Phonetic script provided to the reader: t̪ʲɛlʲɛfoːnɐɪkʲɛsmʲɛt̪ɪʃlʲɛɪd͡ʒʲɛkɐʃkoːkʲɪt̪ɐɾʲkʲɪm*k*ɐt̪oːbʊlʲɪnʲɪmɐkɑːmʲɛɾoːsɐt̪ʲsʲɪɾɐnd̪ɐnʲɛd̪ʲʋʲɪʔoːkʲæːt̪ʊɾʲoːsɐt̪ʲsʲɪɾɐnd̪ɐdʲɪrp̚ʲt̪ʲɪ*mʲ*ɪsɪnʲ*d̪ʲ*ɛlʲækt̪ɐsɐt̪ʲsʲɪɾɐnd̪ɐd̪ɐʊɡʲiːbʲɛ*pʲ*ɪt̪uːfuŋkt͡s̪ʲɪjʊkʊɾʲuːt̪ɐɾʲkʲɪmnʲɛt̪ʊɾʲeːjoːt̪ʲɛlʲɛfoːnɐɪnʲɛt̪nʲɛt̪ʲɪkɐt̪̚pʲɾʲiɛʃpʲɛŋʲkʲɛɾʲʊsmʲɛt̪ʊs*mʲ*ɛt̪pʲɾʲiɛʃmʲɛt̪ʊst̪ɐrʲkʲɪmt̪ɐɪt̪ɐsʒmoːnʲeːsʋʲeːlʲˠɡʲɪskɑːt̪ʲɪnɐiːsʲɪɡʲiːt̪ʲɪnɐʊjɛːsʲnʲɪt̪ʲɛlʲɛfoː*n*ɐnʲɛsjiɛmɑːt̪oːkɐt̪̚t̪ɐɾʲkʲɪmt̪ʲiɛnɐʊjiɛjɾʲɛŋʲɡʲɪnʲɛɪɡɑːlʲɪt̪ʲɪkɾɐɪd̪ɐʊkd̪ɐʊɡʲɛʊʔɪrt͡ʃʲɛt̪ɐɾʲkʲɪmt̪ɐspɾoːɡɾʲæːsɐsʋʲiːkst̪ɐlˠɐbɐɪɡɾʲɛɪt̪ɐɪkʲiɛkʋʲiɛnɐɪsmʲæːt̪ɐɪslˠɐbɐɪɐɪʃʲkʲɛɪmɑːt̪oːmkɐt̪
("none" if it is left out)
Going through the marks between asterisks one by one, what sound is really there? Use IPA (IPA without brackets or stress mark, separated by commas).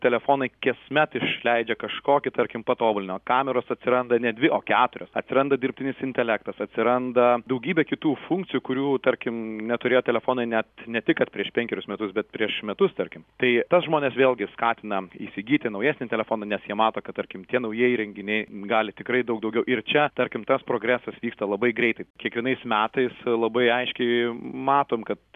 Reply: p, nʲ, t̪ʲ, kʲ, bʲ, n